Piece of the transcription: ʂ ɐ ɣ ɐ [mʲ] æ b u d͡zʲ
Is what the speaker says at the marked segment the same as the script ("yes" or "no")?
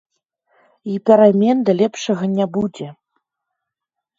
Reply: no